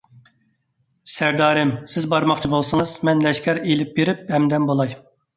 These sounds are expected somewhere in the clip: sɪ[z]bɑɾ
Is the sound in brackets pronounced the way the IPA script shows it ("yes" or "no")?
yes